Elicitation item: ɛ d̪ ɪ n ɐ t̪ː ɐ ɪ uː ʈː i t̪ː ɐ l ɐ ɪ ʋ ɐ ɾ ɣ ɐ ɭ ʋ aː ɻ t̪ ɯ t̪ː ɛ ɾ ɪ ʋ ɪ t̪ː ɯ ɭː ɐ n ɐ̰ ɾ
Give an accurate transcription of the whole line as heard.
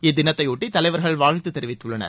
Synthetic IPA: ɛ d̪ ɪ n ɐ t̪ː ɐ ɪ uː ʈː i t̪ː ɐ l ɐ ɪ ʋ ɐ ɾ ɣ ɐ ɭ ʋ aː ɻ t̪ ɯ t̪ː ɛ ɾ ɪ ʋ ɪ t̪ː ɯ ɭː ɐ n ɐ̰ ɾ